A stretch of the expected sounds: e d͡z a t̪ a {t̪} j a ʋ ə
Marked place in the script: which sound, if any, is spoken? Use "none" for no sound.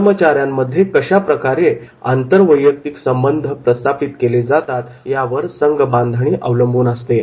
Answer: t̪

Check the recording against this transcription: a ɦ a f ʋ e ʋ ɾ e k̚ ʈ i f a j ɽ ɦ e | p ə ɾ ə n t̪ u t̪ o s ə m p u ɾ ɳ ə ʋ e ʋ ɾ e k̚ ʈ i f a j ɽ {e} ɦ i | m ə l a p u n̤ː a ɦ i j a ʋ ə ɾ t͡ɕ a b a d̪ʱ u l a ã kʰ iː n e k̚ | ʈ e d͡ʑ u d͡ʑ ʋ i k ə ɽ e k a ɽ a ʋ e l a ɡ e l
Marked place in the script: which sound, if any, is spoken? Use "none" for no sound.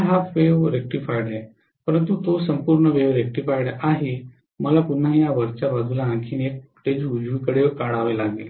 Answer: a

